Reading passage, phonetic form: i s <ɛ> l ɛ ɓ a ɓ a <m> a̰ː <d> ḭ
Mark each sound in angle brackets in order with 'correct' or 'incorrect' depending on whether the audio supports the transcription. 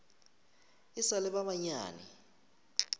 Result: incorrect: a, incorrect: ɲ, incorrect: n

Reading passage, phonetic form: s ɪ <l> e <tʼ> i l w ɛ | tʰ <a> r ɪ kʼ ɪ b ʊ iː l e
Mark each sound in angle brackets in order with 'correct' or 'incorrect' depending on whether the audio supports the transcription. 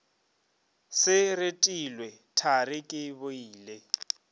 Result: incorrect: r, correct, correct

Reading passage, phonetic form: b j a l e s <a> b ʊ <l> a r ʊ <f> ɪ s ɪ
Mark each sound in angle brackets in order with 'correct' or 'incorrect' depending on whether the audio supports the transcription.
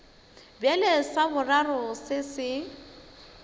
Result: correct, incorrect: r, incorrect: s

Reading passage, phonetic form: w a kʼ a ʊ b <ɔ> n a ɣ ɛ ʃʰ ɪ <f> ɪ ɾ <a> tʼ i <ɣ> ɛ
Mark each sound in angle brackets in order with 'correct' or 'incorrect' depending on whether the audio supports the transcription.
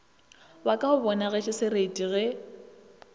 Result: correct, incorrect: s, incorrect: e, correct

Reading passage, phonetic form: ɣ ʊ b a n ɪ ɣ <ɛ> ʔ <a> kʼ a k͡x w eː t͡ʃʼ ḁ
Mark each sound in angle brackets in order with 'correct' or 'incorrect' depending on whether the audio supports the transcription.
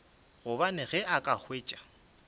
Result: correct, correct

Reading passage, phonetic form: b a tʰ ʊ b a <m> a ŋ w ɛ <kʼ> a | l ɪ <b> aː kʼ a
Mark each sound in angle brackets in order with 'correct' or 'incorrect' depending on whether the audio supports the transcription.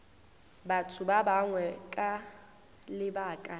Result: incorrect: b, correct, correct

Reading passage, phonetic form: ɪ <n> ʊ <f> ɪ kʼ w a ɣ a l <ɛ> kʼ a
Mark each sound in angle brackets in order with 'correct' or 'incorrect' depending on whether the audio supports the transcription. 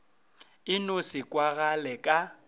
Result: correct, incorrect: s, correct

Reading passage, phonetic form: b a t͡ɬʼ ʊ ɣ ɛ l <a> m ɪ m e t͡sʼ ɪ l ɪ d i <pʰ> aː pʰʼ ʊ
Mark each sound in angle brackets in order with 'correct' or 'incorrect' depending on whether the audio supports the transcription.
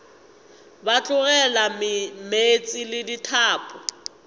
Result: correct, incorrect: tʰ

